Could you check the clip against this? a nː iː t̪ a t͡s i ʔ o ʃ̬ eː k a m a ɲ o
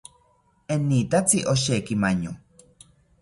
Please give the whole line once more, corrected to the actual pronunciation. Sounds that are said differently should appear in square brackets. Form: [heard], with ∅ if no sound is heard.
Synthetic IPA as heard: [e] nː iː t̪ a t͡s i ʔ o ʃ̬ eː k [i] m a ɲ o